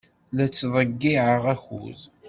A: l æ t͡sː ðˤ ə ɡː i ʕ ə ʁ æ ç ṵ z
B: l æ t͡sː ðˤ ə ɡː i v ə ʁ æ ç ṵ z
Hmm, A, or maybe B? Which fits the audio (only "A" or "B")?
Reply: A